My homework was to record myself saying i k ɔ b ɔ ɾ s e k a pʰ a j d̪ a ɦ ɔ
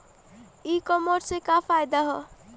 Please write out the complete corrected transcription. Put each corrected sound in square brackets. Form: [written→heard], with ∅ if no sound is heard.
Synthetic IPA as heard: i k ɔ [b→m] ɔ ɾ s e k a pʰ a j d̪ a ɦ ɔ